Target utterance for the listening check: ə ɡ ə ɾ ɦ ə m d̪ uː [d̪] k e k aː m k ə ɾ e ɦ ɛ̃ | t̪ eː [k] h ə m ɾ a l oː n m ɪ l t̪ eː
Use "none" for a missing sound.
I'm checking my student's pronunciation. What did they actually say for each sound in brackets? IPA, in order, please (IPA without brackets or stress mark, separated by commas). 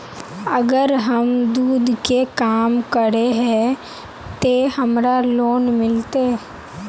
d̪, none